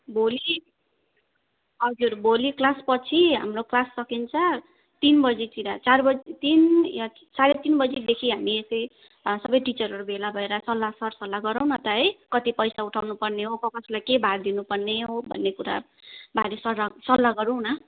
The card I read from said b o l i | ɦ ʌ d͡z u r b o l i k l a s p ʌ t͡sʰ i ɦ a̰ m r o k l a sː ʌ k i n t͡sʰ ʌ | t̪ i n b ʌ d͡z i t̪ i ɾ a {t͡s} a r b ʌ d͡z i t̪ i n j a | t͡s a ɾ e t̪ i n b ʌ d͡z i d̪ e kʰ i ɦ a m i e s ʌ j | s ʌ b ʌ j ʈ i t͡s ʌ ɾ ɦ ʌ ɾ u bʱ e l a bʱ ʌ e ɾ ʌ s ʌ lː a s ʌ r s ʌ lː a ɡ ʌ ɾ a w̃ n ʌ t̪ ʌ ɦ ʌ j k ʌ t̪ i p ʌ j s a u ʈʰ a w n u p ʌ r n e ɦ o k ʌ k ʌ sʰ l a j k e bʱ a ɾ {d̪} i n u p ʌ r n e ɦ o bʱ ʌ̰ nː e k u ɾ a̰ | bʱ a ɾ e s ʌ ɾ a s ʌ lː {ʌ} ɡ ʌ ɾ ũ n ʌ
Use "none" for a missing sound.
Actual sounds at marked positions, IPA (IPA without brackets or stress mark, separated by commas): t͡s, d̪, a